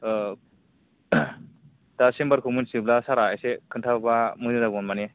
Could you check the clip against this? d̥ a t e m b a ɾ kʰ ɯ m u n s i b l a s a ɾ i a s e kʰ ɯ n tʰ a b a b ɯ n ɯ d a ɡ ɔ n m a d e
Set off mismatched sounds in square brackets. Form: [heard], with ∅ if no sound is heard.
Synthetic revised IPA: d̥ a [s] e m b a ɾ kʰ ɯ m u n s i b l a s a ɾ [a] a s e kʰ ɯ n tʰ a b a [m] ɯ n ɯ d a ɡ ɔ n m a [n] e

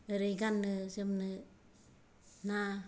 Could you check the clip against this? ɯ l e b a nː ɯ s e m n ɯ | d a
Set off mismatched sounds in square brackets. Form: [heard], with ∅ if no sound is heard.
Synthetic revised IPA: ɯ [ɾ] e [ɡ] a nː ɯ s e m n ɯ | [n] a

